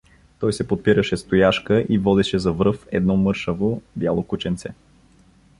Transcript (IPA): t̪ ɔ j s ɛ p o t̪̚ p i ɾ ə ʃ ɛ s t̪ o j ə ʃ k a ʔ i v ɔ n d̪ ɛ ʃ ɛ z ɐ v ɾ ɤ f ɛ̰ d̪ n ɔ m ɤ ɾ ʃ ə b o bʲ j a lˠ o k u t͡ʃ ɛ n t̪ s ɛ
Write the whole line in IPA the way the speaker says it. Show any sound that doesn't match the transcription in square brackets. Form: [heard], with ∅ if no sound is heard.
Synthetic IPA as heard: t̪ ɔ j s ɛ p o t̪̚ p i ɾ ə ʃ ɛ s t̪ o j [a] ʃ k [ə] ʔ i v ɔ [∅] d̪ ɛ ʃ ɛ z ɐ v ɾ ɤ f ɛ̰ d̪ n ɔ m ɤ ɾ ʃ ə [v] o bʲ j a lˠ o k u t͡ʃ ɛ n t̪ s ɛ